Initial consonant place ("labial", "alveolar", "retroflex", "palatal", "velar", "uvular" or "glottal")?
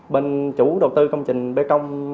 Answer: labial